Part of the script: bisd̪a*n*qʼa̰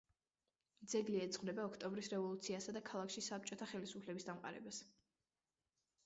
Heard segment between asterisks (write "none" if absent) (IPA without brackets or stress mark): m